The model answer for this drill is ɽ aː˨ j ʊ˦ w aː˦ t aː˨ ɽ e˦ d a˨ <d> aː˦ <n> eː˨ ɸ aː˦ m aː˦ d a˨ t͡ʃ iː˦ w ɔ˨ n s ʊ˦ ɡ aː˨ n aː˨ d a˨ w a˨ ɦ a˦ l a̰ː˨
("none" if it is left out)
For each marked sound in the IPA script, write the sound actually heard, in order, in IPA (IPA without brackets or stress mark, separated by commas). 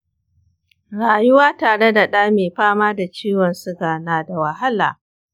ɗ, m